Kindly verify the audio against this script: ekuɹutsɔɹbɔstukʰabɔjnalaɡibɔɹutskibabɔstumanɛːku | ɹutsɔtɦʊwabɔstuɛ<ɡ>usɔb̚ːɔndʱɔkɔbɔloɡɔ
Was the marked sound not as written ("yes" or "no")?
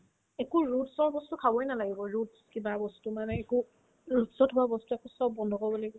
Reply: yes